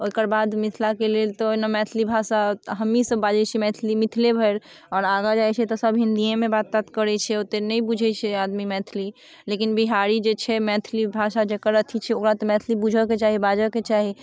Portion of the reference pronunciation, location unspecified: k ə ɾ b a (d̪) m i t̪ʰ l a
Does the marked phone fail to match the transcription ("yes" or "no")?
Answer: no